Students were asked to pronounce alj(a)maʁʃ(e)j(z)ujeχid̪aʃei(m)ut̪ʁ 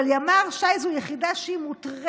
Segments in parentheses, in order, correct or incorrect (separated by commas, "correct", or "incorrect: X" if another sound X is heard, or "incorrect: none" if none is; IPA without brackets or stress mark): correct, incorrect: a, correct, correct